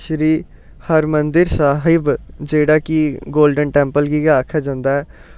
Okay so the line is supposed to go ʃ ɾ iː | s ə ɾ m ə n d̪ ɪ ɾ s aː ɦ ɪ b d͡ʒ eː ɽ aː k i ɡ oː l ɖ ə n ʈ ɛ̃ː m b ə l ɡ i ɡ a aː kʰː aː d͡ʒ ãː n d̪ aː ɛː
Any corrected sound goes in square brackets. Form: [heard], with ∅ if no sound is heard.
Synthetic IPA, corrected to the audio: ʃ ɾ iː | [h] ə ɾ m ə n d̪ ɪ ɾ s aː ɦ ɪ b d͡ʒ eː ɽ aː k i ɡ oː l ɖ ə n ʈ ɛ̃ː m [p] ə l ɡ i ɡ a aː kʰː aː d͡ʒ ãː n d̪ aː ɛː